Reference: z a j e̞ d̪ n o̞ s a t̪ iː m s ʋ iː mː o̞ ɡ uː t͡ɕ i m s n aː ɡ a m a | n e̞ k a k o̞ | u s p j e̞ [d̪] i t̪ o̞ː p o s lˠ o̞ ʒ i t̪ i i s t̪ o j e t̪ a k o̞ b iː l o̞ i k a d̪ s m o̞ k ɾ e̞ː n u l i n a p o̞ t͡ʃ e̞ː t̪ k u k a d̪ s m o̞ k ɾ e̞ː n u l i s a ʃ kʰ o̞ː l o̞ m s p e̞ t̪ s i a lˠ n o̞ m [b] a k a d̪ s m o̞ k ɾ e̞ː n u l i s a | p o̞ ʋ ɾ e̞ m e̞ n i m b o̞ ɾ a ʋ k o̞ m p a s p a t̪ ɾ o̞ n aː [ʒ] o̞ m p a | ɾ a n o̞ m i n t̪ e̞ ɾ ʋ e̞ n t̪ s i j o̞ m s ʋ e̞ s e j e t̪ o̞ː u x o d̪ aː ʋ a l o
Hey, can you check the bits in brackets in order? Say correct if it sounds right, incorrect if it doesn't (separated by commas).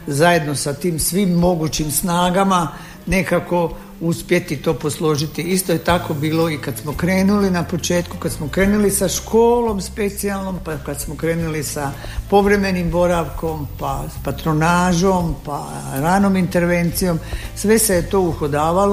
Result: incorrect, incorrect, correct